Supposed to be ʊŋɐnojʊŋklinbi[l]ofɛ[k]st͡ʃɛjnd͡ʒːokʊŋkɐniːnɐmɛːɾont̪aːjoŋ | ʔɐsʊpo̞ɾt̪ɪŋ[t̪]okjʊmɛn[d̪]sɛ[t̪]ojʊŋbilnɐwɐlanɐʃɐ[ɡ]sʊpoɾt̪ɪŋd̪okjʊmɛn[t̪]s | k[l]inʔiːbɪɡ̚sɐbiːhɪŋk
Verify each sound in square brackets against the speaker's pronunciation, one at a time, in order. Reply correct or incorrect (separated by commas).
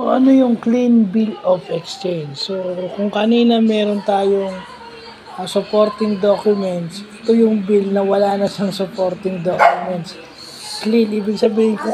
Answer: correct, correct, incorrect, incorrect, correct, incorrect, correct, correct